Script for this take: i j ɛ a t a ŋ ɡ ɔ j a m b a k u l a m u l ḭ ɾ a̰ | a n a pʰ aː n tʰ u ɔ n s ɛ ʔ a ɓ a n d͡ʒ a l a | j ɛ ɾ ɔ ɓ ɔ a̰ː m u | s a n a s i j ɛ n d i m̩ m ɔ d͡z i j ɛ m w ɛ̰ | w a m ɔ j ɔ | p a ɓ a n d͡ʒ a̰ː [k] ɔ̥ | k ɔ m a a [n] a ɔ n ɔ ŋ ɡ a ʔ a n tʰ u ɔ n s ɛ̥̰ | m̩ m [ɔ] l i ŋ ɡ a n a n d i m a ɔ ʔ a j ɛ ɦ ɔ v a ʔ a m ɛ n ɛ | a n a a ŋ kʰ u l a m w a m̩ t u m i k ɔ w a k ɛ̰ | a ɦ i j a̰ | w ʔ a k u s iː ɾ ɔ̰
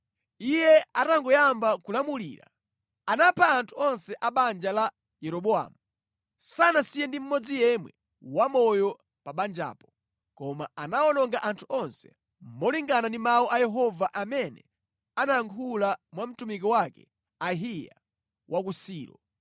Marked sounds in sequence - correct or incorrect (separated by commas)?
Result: incorrect, correct, correct